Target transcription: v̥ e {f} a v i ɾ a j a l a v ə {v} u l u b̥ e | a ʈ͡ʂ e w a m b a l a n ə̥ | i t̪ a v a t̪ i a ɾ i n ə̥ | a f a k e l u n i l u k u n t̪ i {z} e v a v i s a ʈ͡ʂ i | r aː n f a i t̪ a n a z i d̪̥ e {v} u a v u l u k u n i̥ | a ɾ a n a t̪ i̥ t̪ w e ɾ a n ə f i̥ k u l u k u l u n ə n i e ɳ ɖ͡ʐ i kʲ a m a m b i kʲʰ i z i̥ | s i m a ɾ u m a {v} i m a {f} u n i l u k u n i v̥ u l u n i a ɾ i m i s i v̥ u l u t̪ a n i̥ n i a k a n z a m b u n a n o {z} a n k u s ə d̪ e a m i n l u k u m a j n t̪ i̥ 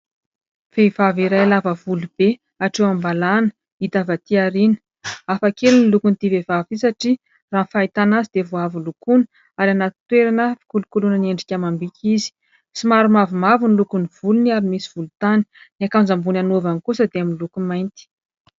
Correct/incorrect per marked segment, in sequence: incorrect: v, correct, incorrect: v, correct, correct, incorrect: v, incorrect: v

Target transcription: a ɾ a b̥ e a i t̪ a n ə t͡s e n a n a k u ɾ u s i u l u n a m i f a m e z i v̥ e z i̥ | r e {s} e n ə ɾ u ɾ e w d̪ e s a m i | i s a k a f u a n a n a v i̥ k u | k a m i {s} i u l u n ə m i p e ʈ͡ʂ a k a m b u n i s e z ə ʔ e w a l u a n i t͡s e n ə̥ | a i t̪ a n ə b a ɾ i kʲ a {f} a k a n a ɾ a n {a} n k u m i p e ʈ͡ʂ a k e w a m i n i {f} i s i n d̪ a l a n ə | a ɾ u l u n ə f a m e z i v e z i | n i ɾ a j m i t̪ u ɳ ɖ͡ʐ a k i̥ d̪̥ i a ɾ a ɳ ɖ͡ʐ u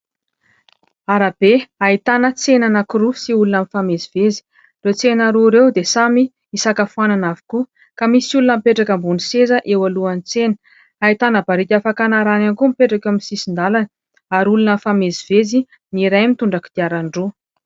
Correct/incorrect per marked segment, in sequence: incorrect: t͡s, correct, correct, correct, incorrect: s

